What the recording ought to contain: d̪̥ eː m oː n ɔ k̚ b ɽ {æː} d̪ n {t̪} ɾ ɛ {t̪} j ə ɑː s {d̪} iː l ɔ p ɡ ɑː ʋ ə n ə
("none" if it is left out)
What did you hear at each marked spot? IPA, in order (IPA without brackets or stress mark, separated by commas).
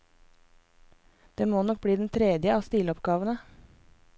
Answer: iː, t̪ʰ, d̪, t̪